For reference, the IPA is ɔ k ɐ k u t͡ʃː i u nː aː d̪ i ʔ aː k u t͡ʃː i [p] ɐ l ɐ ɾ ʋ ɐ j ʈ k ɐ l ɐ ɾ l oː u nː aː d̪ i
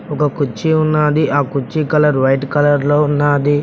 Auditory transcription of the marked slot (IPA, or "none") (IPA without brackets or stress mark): k